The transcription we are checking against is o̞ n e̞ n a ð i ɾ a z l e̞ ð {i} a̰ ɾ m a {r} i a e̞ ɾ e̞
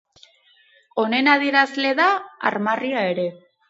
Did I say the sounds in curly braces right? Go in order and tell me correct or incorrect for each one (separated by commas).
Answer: incorrect, correct